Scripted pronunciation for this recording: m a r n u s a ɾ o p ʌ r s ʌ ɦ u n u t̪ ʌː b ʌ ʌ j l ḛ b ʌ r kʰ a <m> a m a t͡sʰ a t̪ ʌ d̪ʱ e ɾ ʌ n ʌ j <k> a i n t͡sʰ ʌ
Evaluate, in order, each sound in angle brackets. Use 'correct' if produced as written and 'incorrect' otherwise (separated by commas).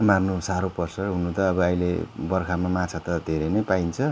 correct, incorrect